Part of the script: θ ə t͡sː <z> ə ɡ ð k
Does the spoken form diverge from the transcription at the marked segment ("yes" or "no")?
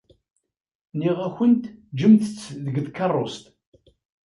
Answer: yes